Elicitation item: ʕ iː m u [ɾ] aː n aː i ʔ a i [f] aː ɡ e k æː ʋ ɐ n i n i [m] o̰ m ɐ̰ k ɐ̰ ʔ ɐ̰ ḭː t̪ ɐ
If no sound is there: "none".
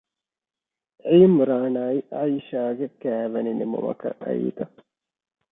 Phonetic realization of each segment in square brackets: ɾ, ʃ, m

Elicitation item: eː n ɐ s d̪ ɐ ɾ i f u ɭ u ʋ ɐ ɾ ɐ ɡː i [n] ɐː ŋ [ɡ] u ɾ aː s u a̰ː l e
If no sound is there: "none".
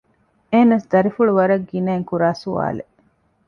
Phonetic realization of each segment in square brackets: n, k

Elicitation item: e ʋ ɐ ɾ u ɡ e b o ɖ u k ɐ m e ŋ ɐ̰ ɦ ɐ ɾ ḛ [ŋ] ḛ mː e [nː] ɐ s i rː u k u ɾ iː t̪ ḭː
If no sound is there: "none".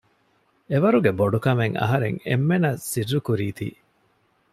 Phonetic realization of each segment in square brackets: ŋ, n

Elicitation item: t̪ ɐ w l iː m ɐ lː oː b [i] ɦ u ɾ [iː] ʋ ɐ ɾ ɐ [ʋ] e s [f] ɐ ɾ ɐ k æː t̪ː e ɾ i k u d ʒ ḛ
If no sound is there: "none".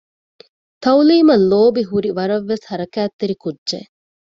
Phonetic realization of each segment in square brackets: i, i, ʋː, h

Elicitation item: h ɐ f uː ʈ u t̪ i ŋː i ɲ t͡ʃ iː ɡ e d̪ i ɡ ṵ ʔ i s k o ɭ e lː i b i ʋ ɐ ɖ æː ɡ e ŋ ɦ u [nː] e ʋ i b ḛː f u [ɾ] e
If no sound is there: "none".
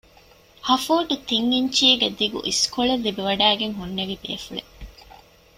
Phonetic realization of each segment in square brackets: nː, ɭ

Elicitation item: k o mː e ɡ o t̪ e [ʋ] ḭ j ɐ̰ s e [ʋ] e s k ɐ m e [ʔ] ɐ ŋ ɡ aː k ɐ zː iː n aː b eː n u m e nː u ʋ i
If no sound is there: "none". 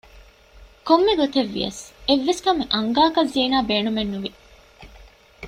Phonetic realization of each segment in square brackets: ʋː, ʋː, ʔ

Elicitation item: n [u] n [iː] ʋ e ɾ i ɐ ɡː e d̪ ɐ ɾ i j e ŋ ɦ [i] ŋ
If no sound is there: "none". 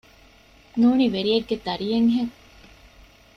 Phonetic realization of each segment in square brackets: uː, i, e

